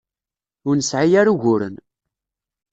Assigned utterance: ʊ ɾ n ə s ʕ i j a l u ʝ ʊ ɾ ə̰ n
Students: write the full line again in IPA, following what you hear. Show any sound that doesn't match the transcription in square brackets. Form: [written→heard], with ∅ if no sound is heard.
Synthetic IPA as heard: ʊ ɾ n ə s ʕ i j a [l→ɾ] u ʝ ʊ ɾ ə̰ n